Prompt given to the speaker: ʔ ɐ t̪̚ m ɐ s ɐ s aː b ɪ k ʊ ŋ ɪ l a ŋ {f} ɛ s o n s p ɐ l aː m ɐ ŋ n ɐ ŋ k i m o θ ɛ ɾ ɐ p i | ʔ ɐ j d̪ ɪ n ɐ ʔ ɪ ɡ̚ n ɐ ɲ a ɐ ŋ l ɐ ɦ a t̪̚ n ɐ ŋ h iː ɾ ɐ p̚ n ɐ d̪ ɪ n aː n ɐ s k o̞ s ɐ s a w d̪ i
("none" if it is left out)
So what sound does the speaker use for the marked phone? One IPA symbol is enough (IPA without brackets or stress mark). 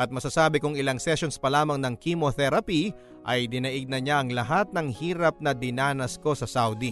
s